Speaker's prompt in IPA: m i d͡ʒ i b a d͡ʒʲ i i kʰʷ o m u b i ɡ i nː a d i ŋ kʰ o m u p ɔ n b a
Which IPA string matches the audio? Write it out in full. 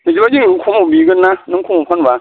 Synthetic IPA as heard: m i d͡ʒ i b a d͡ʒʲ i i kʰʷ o m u b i ɡ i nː a n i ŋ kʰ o m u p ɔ n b a

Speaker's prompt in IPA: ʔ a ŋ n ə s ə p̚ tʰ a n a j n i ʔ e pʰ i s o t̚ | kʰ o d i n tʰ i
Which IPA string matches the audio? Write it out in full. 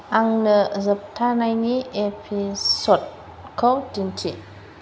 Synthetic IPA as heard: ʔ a ŋ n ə z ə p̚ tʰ a n a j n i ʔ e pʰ i s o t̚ | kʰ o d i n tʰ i

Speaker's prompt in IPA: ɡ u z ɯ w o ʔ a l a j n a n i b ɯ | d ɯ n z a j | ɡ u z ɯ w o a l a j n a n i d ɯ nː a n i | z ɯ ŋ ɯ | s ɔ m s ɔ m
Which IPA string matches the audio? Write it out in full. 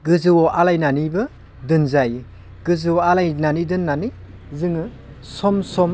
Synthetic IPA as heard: ɡ ɯ z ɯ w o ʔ a l a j n a n i b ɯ | d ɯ n z a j | ɡ ɯ z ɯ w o a l a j n a n i d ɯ nː a n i | z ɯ ŋ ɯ | s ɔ m s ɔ m

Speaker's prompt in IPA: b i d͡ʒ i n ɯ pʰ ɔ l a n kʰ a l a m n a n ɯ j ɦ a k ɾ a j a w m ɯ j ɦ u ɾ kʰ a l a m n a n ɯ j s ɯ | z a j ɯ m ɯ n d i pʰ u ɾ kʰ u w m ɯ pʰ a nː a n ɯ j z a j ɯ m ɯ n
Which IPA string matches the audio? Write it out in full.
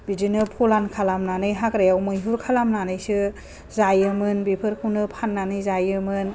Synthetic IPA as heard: b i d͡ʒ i n ɯ pʰ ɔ l a n kʰ a l a m n a n ɯ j ɦ a k ɾ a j a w m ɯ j ɦ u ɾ kʰ a l a m n a n ɯ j s ɯ | z a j ɯ m ɯ n b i pʰ ɯ ɾ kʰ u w n ɯ pʰ a nː a n ɯ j z a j ɯ m ɯ n

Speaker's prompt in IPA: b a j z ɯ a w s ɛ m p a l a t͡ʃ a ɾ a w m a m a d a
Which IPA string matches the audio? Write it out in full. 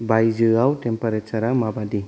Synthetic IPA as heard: b a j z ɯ a w t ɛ m p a ɾ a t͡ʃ a ɾ a m a b a d i

